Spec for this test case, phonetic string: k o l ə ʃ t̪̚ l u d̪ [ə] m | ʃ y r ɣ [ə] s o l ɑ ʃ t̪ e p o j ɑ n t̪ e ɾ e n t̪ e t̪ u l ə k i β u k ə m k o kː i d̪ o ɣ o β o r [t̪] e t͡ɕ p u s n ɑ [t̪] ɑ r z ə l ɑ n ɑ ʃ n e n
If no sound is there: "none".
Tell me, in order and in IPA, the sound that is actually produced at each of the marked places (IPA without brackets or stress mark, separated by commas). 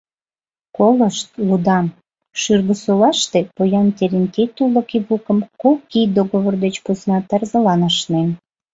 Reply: ɑ, ə, d̪, t̪